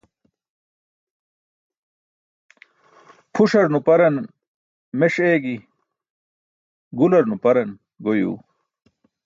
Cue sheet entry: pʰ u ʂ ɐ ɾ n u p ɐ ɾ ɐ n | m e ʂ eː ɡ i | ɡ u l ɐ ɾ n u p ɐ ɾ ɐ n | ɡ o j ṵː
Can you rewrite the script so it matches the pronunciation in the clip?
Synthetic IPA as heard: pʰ u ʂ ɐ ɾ n u p ɐ ɾ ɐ n | m e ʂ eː ɡ i | ɡ u l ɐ ɾ n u p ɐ ɾ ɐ n | ɡ o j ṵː